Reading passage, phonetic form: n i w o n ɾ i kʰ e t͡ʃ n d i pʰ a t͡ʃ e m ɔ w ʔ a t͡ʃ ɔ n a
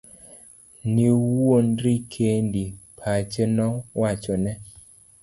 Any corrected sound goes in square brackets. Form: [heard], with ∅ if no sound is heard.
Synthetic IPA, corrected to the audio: n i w o n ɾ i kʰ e [∅] n d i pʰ a t͡ʃ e [n] ɔ w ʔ a t͡ʃ ɔ n [ɛ]